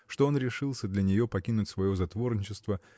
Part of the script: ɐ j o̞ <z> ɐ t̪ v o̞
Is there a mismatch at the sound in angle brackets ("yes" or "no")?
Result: no